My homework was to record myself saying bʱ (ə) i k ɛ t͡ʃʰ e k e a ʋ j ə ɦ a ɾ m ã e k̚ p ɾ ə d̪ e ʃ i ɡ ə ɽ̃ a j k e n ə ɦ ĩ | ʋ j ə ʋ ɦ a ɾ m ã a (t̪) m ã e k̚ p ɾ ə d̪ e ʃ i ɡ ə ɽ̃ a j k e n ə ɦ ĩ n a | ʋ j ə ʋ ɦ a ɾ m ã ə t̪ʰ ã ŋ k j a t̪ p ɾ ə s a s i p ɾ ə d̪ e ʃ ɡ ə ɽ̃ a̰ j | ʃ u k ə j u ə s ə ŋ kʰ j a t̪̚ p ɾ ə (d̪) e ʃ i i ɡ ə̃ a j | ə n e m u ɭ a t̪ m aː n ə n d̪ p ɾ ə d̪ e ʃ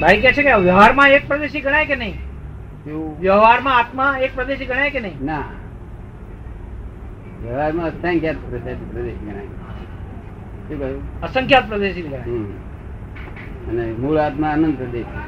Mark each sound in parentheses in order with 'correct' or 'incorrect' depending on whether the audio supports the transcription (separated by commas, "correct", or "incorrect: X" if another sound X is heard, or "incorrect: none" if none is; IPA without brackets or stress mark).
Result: incorrect: a, correct, correct